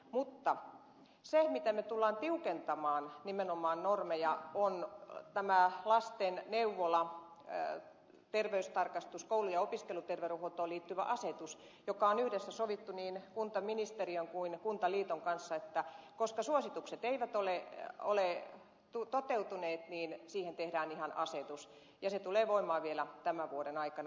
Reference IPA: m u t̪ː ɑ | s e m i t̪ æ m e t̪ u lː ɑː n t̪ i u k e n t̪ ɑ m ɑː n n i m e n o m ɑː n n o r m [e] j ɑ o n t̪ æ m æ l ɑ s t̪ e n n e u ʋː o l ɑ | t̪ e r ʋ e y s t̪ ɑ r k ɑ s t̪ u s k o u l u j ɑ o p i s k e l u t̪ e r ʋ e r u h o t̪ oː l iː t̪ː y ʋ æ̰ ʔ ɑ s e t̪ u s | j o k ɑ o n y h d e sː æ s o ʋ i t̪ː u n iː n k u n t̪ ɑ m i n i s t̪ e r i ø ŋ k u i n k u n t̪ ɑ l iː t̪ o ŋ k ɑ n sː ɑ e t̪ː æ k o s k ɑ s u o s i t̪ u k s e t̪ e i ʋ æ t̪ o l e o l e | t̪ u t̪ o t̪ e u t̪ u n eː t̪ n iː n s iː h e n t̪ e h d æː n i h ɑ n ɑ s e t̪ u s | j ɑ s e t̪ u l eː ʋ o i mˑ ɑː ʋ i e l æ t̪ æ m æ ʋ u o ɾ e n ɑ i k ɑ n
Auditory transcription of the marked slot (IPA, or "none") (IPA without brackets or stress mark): e